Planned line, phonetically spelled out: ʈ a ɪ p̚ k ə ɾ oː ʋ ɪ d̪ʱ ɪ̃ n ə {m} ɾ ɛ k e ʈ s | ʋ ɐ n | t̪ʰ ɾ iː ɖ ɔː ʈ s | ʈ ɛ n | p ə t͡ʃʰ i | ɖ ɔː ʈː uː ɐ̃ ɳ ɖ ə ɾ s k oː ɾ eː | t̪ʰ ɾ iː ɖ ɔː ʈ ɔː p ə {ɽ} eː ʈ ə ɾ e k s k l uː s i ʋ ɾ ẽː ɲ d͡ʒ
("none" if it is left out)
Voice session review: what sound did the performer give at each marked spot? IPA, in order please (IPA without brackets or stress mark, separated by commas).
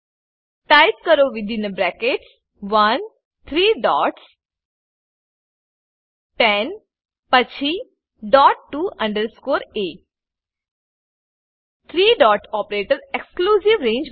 b, ɾ